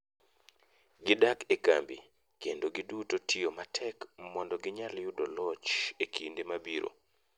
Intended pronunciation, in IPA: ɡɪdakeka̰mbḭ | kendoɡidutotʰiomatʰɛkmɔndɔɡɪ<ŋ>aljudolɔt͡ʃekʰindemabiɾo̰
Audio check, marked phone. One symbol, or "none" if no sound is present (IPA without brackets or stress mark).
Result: ɲ